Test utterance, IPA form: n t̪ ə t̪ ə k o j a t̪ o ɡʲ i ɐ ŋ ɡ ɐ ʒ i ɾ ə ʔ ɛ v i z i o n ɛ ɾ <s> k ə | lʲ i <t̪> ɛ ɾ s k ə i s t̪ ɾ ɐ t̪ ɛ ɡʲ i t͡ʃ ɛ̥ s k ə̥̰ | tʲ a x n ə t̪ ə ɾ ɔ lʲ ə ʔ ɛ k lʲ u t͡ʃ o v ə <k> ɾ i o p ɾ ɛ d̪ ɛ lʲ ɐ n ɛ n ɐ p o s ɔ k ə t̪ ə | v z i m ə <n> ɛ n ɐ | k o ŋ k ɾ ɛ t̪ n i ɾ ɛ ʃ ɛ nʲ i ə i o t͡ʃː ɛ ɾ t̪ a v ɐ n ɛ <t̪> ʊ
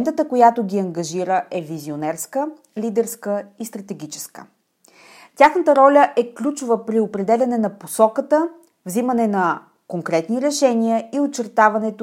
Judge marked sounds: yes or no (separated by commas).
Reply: yes, no, no, yes, yes